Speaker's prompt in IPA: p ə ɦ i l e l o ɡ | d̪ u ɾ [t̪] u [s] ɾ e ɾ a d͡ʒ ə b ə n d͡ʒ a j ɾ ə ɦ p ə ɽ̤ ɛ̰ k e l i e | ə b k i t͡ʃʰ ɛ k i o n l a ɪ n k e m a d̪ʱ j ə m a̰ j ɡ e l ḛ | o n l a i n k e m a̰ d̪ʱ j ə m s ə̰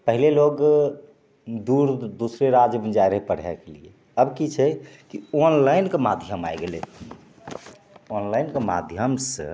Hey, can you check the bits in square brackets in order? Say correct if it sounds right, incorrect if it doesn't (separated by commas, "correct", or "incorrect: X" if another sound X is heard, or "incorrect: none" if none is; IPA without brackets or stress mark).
incorrect: d̪, correct